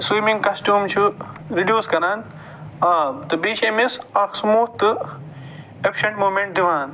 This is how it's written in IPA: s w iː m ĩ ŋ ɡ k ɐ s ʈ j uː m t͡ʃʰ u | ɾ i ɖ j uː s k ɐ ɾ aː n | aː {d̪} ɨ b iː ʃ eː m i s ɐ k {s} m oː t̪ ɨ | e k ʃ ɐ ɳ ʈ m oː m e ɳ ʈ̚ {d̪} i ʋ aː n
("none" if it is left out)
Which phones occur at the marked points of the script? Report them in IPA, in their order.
t̪, s, d̪

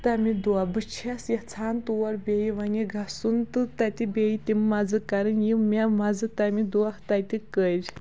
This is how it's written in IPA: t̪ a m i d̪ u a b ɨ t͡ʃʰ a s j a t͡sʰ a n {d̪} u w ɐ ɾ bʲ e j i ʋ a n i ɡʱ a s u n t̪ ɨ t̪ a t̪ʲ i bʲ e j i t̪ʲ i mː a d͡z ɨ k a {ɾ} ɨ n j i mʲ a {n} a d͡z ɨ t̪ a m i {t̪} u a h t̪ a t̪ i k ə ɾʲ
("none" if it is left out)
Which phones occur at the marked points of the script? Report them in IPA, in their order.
t̪, ɾ, m, d̪

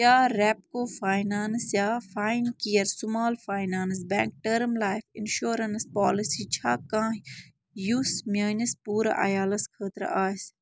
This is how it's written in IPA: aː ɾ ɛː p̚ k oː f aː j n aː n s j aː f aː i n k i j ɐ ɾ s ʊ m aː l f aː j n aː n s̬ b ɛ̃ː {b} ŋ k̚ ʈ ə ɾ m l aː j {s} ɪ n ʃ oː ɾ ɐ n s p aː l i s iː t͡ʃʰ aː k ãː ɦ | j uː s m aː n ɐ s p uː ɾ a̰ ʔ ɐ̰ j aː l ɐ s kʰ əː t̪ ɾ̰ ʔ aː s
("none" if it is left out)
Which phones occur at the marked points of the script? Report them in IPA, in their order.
none, f

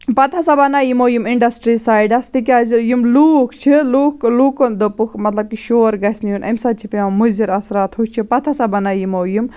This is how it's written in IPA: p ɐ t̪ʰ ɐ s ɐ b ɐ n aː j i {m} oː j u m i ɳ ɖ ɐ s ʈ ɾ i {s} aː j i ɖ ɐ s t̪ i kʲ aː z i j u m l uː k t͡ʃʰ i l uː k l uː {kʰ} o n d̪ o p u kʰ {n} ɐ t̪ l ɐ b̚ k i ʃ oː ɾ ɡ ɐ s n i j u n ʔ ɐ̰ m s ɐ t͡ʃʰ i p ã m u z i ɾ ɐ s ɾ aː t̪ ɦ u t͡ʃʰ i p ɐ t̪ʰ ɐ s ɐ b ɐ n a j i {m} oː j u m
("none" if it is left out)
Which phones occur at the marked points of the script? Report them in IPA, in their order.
m, s, k, m, m

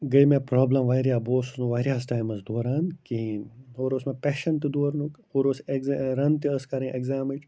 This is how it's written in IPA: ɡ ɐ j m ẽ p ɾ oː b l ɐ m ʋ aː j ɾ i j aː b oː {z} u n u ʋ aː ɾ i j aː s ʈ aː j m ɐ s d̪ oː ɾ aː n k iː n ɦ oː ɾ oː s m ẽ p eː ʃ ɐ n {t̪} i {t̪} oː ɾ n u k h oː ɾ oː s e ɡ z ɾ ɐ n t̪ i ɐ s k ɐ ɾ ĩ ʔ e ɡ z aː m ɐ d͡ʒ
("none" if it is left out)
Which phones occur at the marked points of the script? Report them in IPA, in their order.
s, t̪, d̪

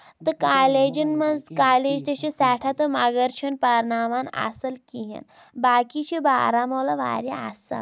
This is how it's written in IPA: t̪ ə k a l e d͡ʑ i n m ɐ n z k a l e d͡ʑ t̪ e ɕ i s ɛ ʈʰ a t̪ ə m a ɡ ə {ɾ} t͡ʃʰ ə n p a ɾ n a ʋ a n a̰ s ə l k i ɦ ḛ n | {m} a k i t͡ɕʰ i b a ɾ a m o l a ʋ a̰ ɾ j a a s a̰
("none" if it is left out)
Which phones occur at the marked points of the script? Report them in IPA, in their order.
ɾ, b

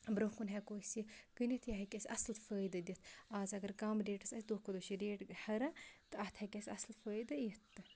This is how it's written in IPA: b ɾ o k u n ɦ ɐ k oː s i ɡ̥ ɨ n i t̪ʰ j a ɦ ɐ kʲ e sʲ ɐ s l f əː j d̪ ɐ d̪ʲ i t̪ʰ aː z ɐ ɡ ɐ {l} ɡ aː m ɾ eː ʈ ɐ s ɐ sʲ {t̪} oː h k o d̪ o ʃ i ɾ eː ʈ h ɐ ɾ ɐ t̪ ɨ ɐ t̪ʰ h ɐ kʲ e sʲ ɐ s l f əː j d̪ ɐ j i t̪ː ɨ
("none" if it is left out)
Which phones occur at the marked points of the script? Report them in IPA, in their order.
ɾ, d̪

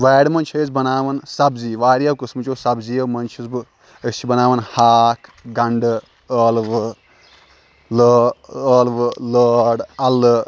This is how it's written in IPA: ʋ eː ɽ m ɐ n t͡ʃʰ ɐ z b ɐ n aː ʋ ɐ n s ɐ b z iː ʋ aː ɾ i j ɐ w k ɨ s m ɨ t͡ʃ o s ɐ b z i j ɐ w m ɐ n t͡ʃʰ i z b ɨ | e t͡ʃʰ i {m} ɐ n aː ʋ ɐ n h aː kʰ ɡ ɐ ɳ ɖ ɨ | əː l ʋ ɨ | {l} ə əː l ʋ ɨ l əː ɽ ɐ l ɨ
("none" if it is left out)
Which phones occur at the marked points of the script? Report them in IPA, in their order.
b, l

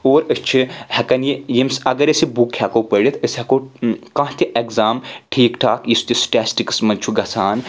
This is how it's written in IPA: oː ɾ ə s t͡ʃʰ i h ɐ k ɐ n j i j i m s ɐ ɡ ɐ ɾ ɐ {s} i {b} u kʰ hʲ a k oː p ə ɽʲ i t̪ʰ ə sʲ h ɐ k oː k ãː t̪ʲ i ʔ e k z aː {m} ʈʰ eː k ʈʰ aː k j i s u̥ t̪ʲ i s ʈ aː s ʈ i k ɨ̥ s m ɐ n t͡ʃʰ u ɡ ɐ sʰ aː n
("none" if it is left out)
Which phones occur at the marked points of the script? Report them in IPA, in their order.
s, b, m

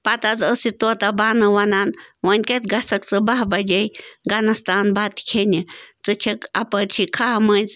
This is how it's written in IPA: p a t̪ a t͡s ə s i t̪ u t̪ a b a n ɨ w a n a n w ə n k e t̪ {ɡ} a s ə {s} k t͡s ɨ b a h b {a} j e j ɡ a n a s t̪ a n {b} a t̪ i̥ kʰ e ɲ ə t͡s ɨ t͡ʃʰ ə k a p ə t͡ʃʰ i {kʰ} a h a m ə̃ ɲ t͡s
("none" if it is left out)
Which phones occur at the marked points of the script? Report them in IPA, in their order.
ɡ, none, a, b, kʰ

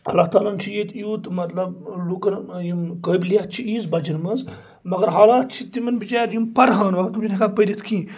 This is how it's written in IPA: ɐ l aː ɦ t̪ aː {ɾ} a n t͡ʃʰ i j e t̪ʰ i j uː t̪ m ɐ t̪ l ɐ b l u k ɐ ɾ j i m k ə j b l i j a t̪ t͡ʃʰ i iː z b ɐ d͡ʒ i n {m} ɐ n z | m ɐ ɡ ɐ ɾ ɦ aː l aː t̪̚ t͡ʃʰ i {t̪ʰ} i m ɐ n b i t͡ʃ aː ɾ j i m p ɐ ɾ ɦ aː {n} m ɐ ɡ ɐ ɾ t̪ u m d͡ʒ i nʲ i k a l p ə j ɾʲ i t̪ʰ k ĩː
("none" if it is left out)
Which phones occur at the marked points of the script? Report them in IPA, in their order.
l, m, t̪, n

